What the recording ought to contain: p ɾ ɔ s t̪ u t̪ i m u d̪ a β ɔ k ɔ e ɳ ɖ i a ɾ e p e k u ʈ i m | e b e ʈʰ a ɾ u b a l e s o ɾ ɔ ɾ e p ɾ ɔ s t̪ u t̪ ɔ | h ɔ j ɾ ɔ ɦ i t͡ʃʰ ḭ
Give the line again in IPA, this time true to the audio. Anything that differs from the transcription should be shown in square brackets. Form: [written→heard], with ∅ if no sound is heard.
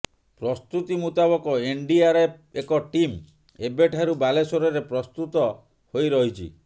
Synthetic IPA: p ɾ ɔ s t̪ u t̪ i m u [d̪→t̪] a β ɔ k ɔ e ɳ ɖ i a ɾ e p e k [u→ɔ] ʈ i m | e b e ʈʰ a ɾ u b a l e s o ɾ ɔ ɾ e p ɾ ɔ s t̪ u t̪ ɔ | h [ɔ→o] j ɾ ɔ ɦ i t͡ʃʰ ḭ